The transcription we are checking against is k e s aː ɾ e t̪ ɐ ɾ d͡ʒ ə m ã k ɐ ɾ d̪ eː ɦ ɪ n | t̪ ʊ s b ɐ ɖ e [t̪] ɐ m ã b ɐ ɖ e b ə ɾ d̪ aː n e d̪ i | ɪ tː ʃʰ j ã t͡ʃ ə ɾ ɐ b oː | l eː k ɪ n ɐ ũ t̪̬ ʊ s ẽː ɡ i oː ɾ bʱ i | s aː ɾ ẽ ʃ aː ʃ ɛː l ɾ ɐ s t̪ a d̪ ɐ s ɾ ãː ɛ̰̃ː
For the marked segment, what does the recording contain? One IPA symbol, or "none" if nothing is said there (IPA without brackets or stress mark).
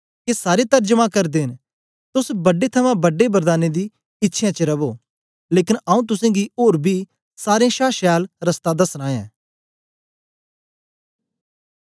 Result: t̪ʰ